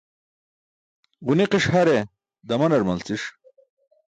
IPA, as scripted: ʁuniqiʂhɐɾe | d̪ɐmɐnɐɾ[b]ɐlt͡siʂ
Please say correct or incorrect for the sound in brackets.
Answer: incorrect